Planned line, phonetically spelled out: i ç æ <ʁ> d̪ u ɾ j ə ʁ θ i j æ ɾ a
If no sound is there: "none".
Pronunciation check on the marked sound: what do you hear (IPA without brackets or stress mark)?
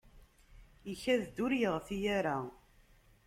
ð